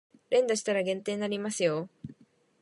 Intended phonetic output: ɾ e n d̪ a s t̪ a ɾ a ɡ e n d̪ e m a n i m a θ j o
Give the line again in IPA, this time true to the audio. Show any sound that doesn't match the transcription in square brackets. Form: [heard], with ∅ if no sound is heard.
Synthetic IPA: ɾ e n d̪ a s t̪ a ɾ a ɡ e n [t̪] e [n] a n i m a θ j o